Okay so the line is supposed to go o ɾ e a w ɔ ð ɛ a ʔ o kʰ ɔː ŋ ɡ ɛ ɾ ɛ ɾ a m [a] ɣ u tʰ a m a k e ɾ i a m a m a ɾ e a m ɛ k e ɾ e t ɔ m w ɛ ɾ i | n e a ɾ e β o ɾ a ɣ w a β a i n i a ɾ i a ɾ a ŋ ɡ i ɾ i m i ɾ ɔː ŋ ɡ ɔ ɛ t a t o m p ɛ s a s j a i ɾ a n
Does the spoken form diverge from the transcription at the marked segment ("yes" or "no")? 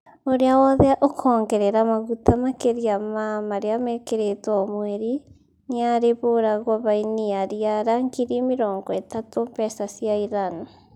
no